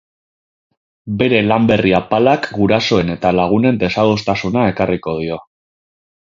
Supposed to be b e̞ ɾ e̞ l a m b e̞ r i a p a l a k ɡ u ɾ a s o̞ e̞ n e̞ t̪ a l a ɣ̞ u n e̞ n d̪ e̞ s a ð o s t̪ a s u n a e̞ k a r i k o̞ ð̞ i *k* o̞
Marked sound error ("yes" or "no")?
yes